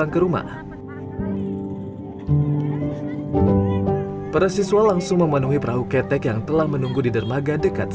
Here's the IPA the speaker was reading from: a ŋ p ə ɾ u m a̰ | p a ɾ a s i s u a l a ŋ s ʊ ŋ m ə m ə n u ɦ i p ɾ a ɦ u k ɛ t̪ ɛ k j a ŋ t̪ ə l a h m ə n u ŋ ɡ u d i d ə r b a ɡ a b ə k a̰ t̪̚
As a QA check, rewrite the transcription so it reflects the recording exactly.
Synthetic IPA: a ŋ k ə ɾ u m a̰ | p a ɾ a s i s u a l a ŋ s ʊ ŋ m ə m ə n u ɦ i p ɾ a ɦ u k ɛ t̪ ɛ k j a ŋ t̪ ə l a h m ə n u ŋ ɡ u d i d ə r m a ɡ a d ə k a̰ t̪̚